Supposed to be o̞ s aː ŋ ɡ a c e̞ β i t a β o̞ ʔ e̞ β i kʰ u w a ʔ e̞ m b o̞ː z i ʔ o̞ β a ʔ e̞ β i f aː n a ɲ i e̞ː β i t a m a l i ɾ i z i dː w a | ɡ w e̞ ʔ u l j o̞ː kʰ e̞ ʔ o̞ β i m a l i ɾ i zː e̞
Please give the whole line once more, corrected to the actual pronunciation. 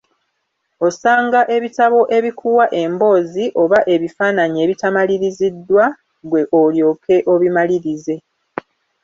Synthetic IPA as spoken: o̞ s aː ŋ ɡ a ʔ e̞ β i t a β o̞ ʔ e̞ β i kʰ u w a ʔ e̞ m b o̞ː z i ʔ o̞ β a ʔ e̞ β i f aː n a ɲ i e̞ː β i t a m a l i ɾ i z i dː w a | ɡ w e̞ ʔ o l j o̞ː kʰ e̞ ʔ o̞ β i m a l i ɾ i z e̞